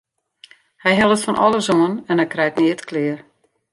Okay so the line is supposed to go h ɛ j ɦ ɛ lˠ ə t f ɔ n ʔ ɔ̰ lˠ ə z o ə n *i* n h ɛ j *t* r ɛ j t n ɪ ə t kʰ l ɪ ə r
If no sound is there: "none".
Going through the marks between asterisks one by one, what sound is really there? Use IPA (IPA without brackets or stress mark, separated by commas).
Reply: ɛ, k